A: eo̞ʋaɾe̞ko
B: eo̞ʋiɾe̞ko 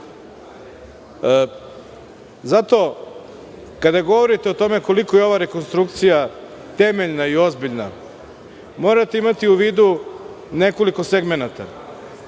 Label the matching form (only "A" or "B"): A